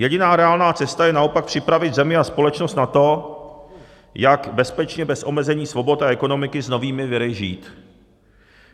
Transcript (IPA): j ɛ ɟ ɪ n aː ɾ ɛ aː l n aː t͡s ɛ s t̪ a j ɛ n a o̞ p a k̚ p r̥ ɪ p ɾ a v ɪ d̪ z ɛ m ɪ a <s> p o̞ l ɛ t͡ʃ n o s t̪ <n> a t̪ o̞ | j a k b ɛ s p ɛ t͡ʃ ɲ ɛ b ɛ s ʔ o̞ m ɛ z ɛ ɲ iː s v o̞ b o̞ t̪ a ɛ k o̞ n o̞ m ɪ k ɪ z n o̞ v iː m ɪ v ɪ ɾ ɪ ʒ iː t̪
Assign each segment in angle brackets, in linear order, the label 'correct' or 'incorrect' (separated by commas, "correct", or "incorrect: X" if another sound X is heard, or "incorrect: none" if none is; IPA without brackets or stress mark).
correct, correct